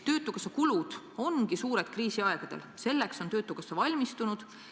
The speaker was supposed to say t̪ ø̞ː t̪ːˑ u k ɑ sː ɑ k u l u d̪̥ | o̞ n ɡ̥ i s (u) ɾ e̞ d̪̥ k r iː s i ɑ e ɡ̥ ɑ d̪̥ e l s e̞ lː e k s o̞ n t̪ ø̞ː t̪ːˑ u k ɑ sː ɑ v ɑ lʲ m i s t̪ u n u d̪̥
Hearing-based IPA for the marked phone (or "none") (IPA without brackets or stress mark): uː